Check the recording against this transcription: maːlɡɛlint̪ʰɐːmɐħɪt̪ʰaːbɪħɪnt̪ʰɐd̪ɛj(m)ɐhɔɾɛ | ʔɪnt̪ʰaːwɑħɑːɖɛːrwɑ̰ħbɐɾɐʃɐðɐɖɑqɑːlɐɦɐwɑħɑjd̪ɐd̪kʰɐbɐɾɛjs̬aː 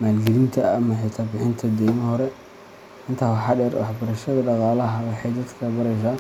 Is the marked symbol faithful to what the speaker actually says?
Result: yes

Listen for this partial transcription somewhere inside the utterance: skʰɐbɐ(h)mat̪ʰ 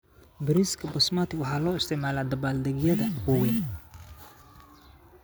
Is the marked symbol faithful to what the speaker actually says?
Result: no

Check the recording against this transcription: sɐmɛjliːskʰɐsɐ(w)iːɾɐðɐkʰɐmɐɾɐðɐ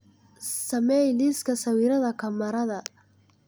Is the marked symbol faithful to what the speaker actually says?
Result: yes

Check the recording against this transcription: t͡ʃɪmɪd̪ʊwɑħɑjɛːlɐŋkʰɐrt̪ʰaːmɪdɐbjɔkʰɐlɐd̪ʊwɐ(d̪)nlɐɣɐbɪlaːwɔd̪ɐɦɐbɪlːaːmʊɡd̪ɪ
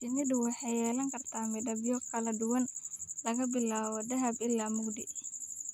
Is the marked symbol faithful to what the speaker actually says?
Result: no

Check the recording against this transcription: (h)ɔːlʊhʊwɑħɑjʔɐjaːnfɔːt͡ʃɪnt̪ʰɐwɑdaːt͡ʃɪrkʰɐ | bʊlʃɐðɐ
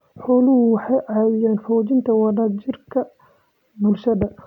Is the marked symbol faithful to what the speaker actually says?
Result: no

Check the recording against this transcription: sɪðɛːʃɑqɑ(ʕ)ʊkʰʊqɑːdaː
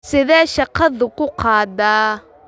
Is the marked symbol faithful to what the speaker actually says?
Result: no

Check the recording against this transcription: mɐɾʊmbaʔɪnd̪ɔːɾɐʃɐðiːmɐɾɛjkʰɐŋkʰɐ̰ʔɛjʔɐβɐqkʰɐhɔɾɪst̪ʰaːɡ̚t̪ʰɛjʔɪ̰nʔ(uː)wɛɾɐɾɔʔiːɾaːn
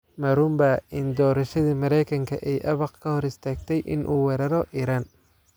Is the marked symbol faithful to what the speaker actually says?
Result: yes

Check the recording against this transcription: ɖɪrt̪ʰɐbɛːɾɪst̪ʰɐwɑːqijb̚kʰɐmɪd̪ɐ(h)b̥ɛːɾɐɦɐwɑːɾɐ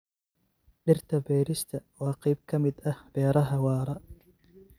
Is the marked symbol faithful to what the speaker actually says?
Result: yes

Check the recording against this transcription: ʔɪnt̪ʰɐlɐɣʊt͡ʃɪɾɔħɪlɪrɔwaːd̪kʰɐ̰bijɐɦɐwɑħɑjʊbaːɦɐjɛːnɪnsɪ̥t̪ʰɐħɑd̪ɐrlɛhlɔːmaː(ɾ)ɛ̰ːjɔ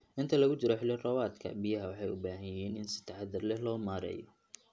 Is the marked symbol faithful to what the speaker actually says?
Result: yes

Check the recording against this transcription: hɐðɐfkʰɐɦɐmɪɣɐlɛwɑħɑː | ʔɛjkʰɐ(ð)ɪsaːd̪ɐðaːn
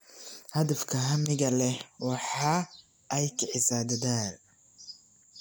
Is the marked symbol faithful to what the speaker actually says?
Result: no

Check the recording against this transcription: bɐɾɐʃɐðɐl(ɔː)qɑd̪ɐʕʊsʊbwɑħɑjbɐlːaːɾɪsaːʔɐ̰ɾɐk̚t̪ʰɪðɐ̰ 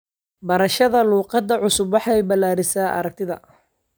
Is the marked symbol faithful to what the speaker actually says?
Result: no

